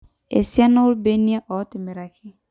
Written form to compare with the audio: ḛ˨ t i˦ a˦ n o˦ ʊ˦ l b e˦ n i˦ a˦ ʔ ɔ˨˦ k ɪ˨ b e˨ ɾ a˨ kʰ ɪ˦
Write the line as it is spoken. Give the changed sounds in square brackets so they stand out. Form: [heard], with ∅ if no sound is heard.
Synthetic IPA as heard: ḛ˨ [s] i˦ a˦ n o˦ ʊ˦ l b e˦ n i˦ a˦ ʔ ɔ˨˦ [t] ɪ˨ [m] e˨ ɾ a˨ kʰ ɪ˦